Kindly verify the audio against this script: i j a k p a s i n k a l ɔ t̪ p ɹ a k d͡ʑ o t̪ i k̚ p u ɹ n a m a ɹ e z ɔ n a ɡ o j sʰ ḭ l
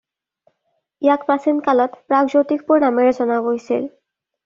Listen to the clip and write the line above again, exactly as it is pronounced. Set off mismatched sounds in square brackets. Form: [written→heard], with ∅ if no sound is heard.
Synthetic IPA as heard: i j a k p a s i n k a l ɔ t̪ p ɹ a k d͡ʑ o t̪ i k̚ p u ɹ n a m [a→e] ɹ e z ɔ n a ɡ o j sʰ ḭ l